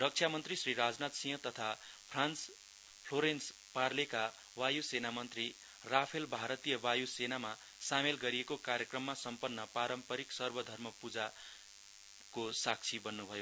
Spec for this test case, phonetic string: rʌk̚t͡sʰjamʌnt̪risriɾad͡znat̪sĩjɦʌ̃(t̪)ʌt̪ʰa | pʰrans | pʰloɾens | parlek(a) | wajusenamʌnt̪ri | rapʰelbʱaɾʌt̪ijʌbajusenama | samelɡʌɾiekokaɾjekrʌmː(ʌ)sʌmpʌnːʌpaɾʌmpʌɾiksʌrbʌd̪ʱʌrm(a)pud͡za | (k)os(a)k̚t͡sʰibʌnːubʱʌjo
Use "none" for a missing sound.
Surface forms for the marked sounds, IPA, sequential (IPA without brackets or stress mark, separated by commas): t̪, a, a, ʌ, k, a